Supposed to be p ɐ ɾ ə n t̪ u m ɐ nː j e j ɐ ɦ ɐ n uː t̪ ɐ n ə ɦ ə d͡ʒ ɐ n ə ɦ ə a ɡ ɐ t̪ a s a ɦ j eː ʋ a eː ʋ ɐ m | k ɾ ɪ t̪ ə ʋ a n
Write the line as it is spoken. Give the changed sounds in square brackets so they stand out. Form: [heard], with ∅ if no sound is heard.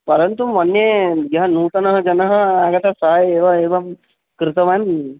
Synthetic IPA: p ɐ ɾ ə n t̪ u m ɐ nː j e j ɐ ɦ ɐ n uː t̪ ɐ n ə ɦ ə d͡ʒ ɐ n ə ɦ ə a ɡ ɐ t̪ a s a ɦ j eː ʋ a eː ʋ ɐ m | k ɾ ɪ t̪ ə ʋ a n